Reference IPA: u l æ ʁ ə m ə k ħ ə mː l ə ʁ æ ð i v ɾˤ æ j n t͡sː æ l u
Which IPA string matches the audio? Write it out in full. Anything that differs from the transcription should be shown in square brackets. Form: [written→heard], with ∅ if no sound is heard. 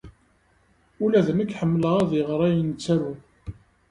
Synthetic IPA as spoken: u l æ [ʁ→ð] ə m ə k ħ ə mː l ə ʁ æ ð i [v→ʁ] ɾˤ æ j n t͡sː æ [l→ɾ] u